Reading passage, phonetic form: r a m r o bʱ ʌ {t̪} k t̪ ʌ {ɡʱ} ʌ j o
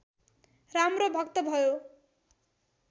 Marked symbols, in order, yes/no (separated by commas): no, no